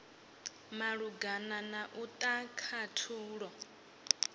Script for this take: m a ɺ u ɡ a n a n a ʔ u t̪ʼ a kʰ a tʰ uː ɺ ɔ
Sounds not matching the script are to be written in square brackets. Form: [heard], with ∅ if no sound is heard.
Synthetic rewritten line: m a ɺ u ɡ a n a n a ʔ u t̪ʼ a kʰ a tʰ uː ɺ ɔ